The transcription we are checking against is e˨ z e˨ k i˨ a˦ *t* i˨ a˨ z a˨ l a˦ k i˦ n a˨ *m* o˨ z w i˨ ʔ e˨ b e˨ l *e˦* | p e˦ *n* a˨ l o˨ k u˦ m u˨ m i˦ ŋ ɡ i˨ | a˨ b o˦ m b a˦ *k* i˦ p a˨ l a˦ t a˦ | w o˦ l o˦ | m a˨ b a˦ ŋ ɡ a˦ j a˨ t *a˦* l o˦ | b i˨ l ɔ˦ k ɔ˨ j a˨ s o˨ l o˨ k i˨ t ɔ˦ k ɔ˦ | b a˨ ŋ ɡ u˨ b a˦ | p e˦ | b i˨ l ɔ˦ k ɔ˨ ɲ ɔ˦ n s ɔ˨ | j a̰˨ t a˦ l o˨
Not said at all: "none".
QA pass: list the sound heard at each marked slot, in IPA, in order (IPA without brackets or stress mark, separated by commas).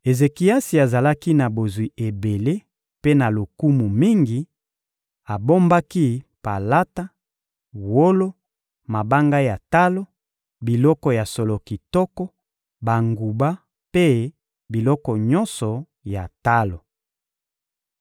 s, b, e˦, n, k, a˦